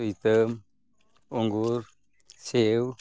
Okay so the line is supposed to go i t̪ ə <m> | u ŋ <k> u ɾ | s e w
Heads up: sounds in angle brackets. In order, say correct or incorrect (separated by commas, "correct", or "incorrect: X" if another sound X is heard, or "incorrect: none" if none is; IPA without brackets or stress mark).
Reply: correct, incorrect: ɡ